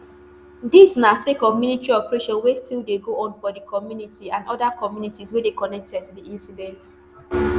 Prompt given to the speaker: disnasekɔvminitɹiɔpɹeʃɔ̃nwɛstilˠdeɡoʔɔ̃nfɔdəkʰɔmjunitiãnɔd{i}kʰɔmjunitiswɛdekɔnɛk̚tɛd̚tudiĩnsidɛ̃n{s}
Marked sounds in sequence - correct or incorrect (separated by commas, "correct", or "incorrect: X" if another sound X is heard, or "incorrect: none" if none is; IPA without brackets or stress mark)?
incorrect: a, incorrect: t